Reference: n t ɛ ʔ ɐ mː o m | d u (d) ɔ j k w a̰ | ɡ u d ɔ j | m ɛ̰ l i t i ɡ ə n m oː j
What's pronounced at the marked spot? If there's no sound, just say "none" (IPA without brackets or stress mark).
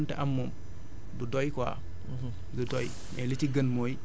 d